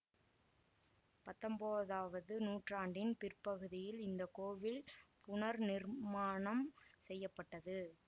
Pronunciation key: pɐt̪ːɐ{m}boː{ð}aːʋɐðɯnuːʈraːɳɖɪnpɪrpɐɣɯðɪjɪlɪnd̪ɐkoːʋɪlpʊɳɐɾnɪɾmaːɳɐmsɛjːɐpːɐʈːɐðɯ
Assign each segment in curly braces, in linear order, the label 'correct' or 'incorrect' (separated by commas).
correct, correct